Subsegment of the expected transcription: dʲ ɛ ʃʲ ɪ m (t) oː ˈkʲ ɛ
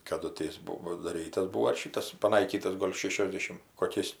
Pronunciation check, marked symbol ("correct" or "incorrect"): incorrect